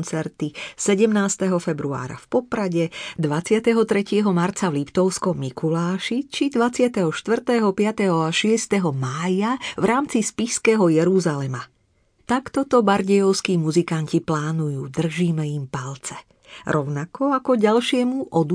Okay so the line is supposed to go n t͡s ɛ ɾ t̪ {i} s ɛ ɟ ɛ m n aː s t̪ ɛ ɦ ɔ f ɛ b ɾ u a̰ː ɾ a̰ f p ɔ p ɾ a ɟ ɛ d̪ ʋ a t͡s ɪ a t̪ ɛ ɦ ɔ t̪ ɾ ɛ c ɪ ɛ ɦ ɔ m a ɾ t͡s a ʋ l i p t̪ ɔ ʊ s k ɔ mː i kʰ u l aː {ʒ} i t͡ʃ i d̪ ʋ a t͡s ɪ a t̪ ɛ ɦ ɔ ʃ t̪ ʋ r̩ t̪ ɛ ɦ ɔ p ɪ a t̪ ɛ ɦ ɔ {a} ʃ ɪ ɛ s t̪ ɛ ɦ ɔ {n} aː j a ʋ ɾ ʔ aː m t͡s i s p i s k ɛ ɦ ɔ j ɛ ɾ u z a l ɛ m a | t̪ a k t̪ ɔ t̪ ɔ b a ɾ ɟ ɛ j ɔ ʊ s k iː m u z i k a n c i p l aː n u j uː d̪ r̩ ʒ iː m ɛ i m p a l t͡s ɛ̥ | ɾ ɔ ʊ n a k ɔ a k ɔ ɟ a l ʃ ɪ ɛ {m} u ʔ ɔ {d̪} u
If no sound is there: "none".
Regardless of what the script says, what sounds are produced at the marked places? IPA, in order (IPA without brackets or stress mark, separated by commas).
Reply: i, ʃ, a, m, m, d̪